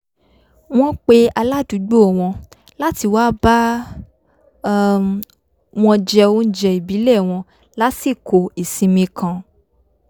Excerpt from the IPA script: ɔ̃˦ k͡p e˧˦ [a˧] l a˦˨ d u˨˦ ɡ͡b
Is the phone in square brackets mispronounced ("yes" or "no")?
no